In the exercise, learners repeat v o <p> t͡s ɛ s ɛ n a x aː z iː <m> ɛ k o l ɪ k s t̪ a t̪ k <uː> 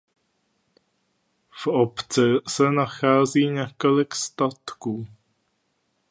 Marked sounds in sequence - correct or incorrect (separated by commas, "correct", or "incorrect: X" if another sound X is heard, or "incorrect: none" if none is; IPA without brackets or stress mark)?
correct, incorrect: ɲ, correct